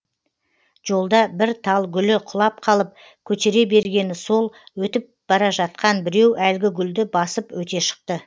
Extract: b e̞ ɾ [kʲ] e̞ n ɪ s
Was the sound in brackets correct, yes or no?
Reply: no